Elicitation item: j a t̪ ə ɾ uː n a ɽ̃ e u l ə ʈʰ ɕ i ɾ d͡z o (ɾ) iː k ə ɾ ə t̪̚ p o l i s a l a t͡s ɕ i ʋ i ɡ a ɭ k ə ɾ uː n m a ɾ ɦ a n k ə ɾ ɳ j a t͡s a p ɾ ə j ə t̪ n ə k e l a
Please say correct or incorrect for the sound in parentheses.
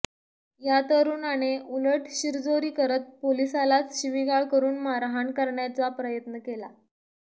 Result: correct